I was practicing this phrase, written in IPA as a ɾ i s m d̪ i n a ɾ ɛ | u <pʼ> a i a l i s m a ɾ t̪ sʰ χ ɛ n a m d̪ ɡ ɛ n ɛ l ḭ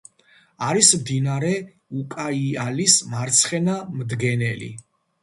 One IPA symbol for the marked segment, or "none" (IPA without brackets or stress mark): kʼ